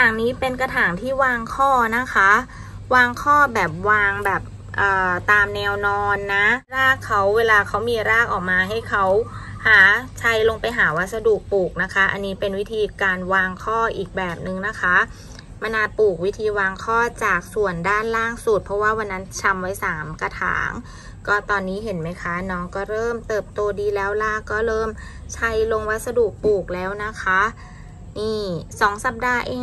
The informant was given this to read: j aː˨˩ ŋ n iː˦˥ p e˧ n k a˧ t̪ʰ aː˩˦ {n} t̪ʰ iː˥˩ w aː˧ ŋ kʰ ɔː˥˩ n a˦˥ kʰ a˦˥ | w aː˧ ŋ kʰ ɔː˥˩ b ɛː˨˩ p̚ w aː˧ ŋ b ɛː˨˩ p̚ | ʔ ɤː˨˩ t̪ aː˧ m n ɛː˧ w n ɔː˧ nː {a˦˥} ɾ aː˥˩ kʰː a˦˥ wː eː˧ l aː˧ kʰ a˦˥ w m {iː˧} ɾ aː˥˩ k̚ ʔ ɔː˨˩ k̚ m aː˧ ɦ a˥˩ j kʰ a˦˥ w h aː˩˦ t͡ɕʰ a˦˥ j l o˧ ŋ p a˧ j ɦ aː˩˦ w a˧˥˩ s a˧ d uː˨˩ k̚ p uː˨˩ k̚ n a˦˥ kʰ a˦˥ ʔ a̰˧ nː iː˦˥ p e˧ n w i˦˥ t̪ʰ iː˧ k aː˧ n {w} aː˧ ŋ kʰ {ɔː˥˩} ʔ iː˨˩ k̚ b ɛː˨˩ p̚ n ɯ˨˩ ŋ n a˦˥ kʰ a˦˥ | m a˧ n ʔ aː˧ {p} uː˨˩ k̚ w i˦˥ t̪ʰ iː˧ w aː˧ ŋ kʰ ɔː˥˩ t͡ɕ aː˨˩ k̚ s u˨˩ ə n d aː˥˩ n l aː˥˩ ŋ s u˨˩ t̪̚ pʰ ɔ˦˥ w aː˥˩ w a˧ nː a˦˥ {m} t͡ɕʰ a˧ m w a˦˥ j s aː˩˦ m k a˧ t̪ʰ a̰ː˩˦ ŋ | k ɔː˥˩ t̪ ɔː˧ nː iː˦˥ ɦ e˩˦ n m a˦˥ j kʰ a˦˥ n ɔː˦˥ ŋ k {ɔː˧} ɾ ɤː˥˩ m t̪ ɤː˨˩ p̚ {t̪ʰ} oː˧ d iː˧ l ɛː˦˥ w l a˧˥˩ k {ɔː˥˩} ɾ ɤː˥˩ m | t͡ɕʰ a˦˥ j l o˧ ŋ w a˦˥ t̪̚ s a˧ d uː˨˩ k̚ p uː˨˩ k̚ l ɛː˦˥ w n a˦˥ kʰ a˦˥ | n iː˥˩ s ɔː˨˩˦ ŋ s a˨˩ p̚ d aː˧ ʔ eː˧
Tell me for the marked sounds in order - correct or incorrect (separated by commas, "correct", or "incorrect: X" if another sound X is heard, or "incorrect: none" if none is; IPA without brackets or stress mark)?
incorrect: ŋ, correct, correct, correct, correct, correct, incorrect: n, incorrect: ɔː˥˩, incorrect: t̪, correct